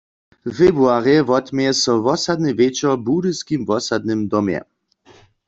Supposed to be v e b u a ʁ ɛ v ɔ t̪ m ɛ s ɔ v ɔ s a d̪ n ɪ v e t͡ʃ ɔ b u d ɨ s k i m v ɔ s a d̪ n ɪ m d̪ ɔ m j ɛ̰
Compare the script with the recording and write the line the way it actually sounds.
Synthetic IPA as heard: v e b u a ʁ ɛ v ɔ t̪ m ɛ s ɔ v ɔ s a d̪ n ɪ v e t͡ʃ ɔ b u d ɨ s k i m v ɔ s a d̪ n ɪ m d̪ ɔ m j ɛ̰